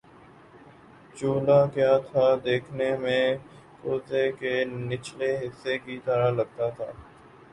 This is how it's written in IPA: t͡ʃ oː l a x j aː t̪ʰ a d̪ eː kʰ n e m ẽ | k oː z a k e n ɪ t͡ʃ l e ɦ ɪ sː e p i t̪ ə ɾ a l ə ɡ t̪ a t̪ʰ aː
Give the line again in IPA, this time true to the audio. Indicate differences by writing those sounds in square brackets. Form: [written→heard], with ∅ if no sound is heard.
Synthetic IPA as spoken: t͡ʃ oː l a [x→k] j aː t̪ʰ a d̪ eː kʰ n e m ẽ | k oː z [a→e] k e n ɪ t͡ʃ l e ɦ ɪ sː e [p→k] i t̪ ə ɾ a l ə ɡ t̪ a t̪ʰ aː